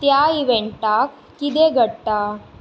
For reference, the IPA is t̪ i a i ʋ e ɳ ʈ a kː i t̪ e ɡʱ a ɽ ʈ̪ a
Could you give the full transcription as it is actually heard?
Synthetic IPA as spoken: t̪ j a i ʋ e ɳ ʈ a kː i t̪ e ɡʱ ə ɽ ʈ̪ a